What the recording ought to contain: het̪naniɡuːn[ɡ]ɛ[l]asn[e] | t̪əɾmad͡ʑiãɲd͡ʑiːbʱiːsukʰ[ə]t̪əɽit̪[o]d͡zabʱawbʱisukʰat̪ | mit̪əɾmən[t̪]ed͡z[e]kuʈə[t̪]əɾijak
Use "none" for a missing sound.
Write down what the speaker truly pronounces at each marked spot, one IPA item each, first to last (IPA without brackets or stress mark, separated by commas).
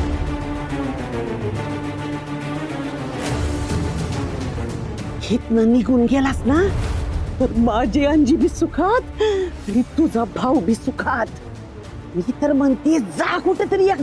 ɡ, l, a, a, u, t̪, a, t̪